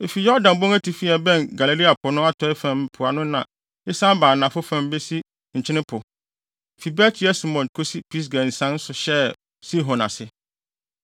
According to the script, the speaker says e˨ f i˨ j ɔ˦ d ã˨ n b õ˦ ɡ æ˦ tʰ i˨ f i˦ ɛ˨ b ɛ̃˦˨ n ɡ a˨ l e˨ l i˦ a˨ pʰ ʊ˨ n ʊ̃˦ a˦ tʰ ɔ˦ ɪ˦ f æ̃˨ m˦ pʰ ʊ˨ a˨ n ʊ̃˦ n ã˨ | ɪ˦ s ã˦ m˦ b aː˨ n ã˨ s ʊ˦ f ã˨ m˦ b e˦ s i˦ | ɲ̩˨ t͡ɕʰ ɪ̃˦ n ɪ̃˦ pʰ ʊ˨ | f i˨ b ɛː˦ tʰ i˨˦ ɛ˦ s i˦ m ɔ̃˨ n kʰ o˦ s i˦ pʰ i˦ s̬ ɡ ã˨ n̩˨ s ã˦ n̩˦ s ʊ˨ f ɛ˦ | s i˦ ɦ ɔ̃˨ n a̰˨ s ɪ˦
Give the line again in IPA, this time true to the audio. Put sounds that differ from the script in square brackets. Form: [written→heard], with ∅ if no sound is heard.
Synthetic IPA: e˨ f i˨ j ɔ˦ d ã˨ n b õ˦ [ɡ→ŋ] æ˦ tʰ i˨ f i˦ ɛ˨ b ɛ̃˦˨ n ɡ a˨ l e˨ l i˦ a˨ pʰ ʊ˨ n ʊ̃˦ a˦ tʰ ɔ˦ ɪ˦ f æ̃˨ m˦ pʰ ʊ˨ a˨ n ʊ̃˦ n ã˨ | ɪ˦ s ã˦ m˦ b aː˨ n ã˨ [s→f] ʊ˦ f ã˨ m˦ b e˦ s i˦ | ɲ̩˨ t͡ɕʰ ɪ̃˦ n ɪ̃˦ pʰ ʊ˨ | f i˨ b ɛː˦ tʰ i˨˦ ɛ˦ s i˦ m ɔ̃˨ n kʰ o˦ s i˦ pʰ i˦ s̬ ɡ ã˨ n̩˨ s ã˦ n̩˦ s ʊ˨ [f→ɕ] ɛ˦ | s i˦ ɦ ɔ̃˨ n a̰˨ s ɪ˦